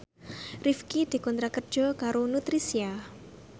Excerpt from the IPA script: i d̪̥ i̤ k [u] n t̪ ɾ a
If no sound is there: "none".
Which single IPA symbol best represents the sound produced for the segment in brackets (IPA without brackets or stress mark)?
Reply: ɔ